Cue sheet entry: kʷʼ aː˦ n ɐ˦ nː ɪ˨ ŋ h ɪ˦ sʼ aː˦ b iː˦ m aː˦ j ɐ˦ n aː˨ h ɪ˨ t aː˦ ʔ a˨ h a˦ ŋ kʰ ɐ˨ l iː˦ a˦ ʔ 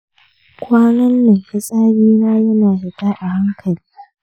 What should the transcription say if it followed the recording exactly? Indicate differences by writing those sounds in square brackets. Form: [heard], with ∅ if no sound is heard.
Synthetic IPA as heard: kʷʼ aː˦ n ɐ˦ nː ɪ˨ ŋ h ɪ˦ sʼ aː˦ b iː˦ [n] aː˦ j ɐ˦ n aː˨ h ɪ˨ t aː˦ ʔ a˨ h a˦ ŋ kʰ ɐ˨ l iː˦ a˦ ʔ